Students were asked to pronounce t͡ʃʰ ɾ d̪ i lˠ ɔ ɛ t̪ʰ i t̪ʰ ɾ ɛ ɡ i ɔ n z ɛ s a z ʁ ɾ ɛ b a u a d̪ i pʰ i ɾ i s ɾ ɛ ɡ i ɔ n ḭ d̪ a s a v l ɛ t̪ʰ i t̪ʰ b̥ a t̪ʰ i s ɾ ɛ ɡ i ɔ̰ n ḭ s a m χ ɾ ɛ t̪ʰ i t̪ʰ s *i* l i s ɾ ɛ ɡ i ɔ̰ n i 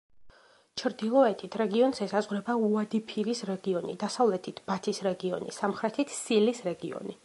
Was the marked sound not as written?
no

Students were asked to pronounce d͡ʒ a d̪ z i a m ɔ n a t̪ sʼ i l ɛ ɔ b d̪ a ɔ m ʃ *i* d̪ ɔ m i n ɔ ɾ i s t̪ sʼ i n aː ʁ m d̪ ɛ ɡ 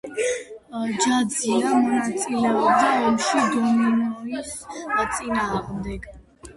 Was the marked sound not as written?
no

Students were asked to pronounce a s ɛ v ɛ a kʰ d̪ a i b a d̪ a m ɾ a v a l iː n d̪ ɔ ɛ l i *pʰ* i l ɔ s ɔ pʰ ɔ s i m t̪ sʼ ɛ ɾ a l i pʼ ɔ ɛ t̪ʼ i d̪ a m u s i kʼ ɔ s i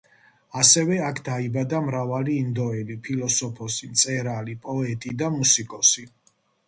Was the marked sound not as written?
no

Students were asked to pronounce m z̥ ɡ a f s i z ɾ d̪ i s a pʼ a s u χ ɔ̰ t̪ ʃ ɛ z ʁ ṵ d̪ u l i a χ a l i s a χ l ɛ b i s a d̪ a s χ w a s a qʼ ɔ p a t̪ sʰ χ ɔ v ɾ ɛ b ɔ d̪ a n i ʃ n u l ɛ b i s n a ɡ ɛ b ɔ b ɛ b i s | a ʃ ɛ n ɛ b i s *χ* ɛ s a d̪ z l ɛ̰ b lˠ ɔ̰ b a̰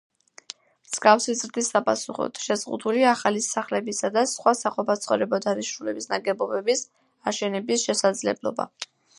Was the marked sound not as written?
yes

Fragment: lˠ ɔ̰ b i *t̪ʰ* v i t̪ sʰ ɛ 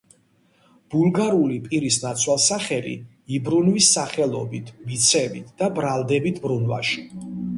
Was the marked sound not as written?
no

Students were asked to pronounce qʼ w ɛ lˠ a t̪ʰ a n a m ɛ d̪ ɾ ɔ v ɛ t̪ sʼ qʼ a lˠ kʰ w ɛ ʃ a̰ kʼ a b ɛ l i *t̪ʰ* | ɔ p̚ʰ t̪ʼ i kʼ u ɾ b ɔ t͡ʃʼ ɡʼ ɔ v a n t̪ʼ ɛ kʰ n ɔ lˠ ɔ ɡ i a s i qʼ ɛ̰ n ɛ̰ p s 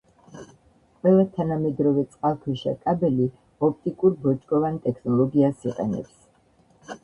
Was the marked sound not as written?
yes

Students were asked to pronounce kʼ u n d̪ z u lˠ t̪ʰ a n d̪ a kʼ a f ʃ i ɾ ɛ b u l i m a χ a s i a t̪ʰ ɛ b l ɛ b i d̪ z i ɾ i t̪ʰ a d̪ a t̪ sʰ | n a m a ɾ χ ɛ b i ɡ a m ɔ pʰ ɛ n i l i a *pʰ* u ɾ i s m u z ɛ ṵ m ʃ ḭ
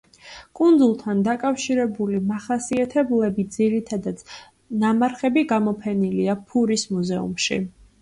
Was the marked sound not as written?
no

